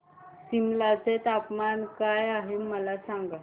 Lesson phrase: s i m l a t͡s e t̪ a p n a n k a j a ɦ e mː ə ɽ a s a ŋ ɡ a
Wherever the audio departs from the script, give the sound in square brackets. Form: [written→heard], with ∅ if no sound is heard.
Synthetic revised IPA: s i m l a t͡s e t̪ a p [n→m] a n k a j a ɦ e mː ə [ɽ→l] a s a ŋ ɡ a